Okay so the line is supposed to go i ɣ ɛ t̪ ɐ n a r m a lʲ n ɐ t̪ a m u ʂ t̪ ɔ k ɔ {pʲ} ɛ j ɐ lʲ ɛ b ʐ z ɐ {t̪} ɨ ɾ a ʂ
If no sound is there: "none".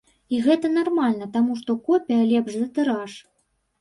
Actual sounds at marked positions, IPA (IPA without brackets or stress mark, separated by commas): pʲ, t̪